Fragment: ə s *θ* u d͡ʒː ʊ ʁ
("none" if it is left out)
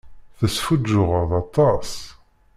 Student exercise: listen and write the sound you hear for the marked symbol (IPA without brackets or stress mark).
f